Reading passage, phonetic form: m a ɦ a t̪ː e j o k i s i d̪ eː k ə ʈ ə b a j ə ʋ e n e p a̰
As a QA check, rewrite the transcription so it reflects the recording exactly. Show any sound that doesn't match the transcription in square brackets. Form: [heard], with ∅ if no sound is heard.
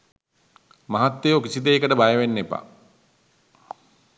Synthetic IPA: m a ɦ a t̪ː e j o k i s i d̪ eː k ə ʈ ə b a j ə ʋ e [nː] e p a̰